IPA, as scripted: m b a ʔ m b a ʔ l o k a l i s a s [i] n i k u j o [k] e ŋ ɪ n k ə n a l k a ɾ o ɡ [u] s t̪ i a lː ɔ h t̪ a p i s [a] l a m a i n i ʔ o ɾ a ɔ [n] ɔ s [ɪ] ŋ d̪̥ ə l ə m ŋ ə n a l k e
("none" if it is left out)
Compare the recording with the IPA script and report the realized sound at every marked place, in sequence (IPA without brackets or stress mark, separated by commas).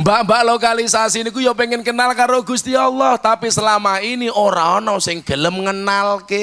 i, p, u, ə, n, ɪ